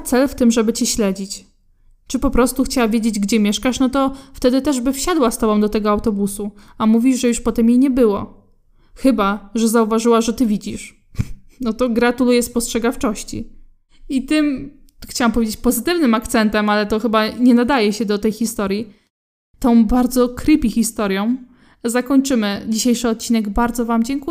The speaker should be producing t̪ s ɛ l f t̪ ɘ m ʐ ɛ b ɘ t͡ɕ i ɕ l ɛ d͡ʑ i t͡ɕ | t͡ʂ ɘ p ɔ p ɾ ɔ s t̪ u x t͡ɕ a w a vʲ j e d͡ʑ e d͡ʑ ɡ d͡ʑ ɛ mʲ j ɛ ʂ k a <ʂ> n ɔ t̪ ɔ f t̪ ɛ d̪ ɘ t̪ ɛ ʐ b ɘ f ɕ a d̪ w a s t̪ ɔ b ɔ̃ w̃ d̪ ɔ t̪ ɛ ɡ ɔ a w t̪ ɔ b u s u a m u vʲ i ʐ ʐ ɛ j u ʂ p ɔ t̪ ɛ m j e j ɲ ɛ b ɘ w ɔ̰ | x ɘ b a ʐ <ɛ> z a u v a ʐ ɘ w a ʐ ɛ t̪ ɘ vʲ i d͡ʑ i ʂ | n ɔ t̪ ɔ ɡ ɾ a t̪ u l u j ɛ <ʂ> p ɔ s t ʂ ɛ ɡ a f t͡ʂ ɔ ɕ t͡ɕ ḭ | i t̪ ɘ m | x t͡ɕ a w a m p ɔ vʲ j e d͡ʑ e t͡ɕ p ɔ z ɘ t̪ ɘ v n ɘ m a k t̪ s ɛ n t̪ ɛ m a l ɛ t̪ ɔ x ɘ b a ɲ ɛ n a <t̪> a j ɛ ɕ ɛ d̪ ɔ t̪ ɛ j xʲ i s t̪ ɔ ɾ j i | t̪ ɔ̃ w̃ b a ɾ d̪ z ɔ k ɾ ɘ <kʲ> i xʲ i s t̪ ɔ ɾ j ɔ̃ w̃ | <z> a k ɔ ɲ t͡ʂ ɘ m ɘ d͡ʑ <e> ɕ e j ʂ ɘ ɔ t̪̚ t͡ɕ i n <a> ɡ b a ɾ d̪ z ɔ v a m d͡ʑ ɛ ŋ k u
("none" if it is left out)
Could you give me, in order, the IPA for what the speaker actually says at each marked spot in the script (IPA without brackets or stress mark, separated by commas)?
ʂ, ɛ, s, d̪, pʲ, z, i, ɛ